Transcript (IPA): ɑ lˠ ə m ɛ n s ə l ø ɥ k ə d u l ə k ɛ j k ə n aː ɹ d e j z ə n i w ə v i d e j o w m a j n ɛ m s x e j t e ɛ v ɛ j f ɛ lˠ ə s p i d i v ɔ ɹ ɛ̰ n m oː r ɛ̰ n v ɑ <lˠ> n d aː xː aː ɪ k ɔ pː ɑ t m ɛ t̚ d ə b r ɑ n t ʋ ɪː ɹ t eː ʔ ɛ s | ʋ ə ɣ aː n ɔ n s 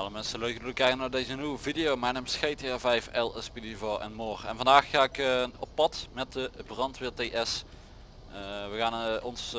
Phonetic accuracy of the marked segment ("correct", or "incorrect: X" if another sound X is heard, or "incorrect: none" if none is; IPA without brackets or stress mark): incorrect: none